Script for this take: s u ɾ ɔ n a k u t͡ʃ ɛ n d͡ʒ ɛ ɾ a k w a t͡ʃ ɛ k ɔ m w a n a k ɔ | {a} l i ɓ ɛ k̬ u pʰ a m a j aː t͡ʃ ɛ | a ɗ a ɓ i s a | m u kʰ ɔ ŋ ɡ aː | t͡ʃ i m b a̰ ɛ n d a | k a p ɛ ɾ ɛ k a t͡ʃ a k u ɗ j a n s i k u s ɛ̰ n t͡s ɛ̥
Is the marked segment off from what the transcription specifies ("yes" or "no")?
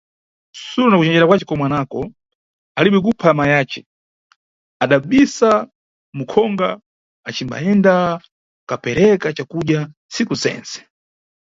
no